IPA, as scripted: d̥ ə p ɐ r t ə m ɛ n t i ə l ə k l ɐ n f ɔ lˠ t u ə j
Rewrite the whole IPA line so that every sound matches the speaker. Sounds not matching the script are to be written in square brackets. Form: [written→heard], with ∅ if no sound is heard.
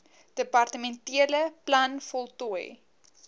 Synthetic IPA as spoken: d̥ ə p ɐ r t ə m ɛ n t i ə l ə [k→p] l ɐ n f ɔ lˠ t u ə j